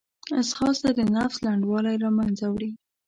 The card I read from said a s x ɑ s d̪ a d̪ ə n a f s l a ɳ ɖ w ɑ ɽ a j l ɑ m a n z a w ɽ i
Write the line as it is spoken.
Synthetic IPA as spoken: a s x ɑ s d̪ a d̪ ə n a f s l a ɳ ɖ w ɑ l a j ɾ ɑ m a n z a w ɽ i